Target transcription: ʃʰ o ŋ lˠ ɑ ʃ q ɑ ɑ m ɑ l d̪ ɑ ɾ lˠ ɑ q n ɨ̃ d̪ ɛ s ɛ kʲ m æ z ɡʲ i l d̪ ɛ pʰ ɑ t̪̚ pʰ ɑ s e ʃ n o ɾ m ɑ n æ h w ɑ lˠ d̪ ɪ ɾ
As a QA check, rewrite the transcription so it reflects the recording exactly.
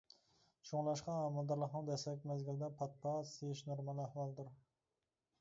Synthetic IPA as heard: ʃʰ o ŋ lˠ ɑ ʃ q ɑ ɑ m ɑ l d̪ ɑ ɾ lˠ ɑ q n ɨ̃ d̪ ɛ s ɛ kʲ m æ z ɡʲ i l d̪ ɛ pʰ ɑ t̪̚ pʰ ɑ s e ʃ n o ɾ m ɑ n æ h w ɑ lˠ d̪ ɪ ɾ